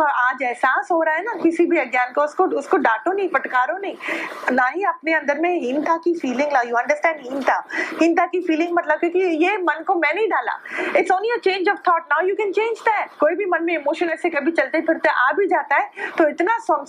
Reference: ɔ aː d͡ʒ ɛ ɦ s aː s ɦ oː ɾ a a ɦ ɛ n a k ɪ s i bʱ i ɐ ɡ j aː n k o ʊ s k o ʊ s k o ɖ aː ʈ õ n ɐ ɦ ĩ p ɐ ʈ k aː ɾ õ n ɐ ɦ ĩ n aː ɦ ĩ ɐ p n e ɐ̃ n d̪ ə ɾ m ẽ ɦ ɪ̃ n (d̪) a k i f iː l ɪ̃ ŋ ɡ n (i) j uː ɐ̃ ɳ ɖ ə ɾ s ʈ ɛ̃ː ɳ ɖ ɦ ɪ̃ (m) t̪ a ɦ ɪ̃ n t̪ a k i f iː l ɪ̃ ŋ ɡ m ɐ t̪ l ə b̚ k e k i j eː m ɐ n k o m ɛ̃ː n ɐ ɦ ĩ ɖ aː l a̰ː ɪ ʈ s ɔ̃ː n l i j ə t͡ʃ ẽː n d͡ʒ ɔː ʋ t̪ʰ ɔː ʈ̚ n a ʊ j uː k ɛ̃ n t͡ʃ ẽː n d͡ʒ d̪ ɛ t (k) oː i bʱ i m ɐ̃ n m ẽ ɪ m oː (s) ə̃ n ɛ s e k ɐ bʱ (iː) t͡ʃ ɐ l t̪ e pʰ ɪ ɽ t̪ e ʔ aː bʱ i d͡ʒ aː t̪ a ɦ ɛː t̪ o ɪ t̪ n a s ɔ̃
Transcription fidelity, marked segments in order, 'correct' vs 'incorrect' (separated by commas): incorrect, incorrect, incorrect, correct, incorrect, incorrect